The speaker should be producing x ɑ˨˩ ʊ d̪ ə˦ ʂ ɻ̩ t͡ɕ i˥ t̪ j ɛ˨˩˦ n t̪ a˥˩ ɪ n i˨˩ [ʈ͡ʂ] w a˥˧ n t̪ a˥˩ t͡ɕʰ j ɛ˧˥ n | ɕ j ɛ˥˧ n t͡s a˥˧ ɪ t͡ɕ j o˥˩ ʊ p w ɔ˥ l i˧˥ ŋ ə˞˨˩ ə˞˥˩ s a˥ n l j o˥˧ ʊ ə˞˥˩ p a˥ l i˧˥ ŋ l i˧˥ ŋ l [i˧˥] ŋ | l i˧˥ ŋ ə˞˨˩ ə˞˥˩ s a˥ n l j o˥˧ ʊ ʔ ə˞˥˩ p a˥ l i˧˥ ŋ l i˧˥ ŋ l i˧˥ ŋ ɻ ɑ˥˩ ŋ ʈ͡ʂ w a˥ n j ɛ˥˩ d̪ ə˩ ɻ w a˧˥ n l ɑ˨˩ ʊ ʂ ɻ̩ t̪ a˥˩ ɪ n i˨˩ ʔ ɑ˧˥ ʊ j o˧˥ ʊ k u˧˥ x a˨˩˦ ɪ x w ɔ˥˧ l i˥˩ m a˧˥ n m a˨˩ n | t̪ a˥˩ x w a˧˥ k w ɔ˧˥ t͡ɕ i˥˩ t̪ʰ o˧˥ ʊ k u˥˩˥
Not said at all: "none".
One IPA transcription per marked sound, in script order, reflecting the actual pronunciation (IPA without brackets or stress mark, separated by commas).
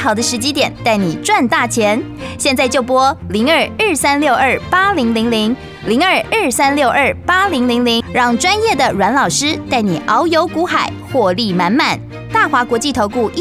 ʈ͡ʂ, i˧˥